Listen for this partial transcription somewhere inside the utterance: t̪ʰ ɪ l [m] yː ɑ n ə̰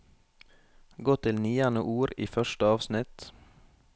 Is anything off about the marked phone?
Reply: yes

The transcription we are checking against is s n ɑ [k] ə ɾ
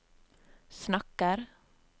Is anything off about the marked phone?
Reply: no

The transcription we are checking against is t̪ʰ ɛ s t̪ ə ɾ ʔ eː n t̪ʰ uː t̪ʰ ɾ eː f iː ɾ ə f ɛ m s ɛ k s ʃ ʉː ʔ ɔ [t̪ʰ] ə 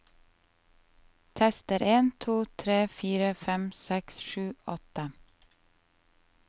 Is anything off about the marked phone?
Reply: yes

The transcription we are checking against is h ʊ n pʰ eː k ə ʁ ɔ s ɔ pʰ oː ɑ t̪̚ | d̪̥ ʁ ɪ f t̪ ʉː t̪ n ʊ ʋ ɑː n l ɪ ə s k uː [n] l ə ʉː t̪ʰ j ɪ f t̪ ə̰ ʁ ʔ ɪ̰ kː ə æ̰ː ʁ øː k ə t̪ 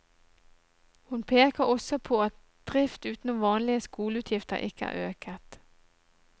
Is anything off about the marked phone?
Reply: yes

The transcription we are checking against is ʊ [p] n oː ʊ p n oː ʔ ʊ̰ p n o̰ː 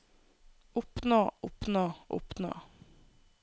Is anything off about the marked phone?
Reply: no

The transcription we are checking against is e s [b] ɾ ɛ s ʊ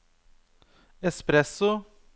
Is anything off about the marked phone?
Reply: yes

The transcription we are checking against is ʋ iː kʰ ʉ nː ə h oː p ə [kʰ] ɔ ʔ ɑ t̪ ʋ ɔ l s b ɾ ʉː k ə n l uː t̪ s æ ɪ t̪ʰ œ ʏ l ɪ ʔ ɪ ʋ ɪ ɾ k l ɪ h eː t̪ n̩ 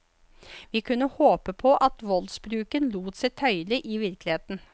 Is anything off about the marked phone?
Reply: yes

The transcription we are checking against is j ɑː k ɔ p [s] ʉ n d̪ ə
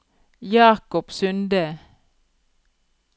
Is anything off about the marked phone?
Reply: no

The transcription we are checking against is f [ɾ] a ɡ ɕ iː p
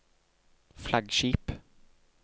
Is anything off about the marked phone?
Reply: yes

